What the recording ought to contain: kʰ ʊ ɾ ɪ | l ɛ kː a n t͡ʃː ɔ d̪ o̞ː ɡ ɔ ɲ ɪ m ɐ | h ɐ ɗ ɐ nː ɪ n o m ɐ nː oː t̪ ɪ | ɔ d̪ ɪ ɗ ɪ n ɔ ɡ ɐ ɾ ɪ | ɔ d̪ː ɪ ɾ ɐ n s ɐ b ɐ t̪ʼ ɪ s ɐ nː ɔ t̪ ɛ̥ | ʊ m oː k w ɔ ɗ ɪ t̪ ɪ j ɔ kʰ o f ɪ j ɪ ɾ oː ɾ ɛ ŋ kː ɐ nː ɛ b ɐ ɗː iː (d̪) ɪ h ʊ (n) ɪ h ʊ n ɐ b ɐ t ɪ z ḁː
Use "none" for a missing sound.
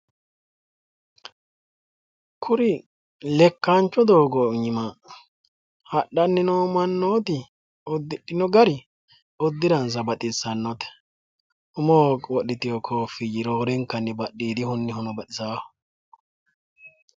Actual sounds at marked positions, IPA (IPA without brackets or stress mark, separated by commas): d̪, nː